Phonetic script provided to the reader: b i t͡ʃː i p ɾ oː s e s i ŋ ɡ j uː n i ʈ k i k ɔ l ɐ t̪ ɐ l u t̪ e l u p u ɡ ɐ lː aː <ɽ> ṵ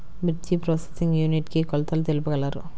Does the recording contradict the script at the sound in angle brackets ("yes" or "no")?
yes